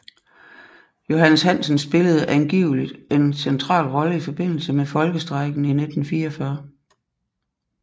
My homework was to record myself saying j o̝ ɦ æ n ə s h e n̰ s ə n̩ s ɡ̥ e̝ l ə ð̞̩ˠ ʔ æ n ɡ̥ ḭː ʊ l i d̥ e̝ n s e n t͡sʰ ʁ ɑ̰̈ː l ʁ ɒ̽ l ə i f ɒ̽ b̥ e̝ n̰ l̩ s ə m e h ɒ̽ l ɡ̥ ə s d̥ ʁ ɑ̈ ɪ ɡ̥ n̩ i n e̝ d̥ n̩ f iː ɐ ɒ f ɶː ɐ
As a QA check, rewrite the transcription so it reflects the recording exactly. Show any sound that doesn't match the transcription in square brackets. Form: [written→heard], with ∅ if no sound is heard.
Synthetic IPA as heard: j o̝ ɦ æ n ə s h [e→æ] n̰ s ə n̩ s [ɡ̥→b̥] e̝ l ə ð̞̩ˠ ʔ æ n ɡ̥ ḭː ʊ l i d̥ e̝ n s e n t͡sʰ ʁ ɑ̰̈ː l ʁ ɒ̽ l ə i f ɒ̽ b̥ e̝ n̰ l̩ s ə m e [h→f] ɒ̽ l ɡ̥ ə s d̥ ʁ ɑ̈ ɪ ɡ̥ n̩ i n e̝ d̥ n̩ f iː ɐ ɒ f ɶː ɐ